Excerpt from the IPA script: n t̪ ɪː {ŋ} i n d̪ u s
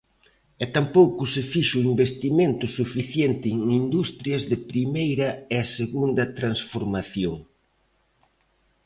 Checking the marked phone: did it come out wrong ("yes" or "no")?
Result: no